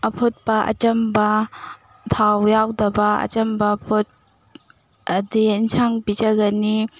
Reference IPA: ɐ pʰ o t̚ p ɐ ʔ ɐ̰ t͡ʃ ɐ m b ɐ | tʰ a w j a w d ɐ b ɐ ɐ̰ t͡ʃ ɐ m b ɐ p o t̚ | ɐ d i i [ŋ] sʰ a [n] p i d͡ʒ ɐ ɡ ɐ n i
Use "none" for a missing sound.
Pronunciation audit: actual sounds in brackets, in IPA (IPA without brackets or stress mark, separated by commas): n, ŋ